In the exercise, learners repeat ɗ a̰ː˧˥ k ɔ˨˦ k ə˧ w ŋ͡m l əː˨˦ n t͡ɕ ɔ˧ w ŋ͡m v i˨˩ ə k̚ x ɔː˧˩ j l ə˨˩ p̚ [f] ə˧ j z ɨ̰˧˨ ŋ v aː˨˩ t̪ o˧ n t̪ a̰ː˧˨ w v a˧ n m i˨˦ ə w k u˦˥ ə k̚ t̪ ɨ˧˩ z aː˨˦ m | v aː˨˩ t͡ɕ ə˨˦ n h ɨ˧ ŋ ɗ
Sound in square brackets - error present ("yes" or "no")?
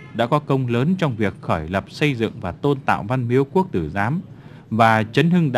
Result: yes